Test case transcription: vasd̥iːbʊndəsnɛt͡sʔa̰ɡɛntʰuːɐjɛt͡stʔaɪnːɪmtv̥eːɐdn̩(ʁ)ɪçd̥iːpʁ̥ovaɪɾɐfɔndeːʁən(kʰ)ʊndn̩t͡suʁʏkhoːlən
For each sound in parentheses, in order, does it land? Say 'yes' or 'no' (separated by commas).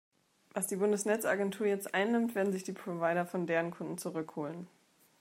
no, yes